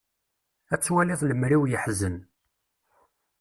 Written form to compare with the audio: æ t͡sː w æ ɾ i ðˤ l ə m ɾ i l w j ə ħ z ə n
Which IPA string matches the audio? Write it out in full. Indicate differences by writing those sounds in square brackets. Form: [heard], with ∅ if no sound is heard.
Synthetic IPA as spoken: æ t͡sː w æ [l] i ðˤ l ə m ɾ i [∅] w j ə ħ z ə n